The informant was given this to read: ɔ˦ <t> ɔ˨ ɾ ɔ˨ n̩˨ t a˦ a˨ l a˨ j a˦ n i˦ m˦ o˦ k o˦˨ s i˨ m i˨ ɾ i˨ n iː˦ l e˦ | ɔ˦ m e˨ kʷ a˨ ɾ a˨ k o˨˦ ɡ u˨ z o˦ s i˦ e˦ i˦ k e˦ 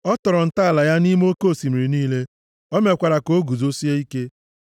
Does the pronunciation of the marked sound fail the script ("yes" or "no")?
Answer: no